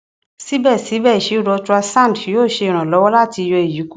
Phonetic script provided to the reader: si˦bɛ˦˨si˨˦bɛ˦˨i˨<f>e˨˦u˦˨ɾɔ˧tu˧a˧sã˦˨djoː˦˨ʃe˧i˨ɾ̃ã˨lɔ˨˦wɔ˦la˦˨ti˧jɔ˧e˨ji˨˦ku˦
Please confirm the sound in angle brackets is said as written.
no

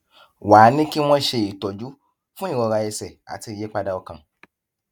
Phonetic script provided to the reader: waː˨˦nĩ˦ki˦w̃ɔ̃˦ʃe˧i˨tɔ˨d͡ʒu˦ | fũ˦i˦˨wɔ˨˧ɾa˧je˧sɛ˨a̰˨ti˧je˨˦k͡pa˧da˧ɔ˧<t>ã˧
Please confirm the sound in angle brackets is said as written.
no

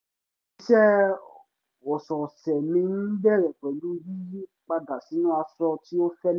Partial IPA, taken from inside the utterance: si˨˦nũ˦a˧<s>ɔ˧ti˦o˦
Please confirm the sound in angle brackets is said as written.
yes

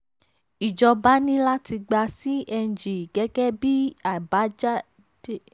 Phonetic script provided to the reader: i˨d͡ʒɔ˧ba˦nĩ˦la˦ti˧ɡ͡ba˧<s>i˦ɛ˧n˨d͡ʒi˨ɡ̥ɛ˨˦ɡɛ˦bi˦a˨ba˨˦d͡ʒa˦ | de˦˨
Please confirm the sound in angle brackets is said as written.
yes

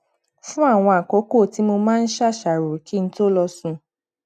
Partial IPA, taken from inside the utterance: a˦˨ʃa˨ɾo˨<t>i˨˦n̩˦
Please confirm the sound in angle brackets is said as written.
no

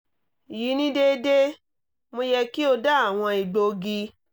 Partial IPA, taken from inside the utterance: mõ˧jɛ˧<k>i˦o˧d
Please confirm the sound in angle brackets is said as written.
yes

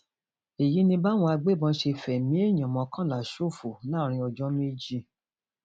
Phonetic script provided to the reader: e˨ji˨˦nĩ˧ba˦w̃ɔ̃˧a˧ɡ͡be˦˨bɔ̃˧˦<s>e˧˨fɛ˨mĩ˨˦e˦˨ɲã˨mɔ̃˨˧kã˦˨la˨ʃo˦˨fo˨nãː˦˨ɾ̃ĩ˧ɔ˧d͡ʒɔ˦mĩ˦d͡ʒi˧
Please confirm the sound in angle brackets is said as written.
no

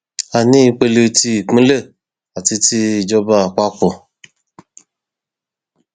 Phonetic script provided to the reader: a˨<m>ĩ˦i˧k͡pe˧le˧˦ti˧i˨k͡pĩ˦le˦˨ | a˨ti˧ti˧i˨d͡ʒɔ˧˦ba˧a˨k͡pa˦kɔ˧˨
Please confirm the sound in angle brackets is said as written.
no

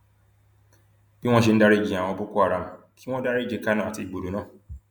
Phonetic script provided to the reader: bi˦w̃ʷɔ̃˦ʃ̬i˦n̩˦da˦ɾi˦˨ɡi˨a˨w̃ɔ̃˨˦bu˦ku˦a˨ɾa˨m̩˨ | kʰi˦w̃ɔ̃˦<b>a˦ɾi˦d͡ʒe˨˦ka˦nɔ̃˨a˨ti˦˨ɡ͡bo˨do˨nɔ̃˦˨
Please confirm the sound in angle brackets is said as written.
no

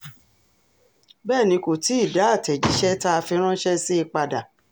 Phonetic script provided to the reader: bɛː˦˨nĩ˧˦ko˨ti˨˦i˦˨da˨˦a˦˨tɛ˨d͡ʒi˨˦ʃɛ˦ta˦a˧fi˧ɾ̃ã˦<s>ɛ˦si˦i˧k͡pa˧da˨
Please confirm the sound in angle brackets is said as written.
no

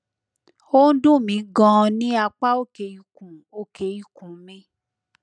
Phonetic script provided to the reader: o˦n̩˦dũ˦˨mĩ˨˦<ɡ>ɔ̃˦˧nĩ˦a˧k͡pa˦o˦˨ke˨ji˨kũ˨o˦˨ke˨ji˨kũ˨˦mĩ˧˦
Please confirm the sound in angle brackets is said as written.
yes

